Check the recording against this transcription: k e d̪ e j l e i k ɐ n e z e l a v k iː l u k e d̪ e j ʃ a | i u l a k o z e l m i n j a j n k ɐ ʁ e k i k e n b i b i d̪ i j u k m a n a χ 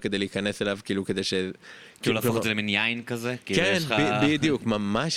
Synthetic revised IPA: k e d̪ e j l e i k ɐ n e s e l a v k iː l u k e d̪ e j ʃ e | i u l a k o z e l m i n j a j n k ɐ z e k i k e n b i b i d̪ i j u k m a m a ʃ